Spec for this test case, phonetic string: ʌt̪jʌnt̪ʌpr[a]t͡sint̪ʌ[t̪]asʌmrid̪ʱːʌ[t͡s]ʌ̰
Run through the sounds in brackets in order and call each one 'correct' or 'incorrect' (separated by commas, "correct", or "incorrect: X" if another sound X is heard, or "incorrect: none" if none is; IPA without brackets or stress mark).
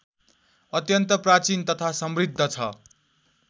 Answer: correct, incorrect: t̪ʰ, incorrect: t͡sʰ